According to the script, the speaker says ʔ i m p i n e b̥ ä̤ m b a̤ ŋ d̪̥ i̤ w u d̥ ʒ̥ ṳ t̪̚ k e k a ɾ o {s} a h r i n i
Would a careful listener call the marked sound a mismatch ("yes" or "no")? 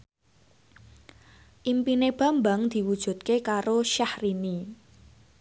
yes